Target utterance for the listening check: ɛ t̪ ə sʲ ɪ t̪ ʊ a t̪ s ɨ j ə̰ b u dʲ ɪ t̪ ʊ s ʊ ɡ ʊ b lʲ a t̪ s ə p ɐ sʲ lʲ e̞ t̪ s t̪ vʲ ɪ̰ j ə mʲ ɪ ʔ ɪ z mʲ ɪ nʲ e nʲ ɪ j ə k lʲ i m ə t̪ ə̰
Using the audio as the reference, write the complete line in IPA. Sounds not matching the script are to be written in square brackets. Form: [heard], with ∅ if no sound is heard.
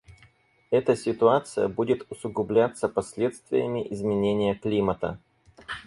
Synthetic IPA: ɛ t̪ ə sʲ ɪ t̪ ʊ a t̪ s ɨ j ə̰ b u dʲ ɪ t̪ ʊ s ʊ ɡ ʊ b lʲ a t̪ s ə p ɐ sʲ lʲ e̞ t̪ s t̪ vʲ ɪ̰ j ə mʲ ɪ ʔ ɪ z mʲ ɪ nʲ e nʲ ɪ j ə k lʲ i m ə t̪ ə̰